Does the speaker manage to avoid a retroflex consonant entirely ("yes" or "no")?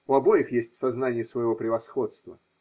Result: yes